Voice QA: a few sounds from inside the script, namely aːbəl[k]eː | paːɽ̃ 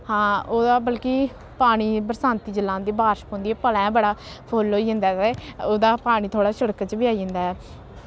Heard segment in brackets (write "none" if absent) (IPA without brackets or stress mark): k